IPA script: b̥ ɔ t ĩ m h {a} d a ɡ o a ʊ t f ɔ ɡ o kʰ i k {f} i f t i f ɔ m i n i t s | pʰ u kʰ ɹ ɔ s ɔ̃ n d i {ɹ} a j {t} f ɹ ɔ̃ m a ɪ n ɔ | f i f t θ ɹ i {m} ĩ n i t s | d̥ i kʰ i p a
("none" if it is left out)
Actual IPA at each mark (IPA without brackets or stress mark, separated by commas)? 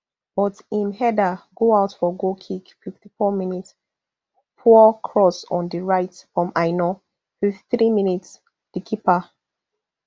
ɛ, f, ɹ, t, m